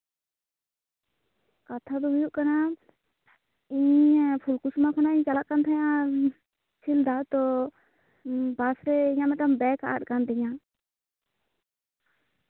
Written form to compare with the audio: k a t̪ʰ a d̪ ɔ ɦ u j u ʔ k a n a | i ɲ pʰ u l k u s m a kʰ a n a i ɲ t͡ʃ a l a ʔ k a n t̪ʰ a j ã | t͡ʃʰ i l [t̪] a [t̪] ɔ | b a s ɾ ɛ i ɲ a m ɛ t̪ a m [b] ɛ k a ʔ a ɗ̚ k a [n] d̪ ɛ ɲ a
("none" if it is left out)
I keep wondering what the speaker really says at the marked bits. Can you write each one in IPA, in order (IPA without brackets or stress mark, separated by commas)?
d̪, t̪, b, n